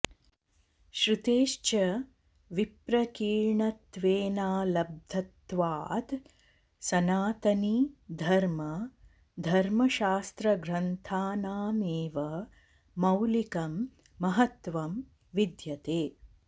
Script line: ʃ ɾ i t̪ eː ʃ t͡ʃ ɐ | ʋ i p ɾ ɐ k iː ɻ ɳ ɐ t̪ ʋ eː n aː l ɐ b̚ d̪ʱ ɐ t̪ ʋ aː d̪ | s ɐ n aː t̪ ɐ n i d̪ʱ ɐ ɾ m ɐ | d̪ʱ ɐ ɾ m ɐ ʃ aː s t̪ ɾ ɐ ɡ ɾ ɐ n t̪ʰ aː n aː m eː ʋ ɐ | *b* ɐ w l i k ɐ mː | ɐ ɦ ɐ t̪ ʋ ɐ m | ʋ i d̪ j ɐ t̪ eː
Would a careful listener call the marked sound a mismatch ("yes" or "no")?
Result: yes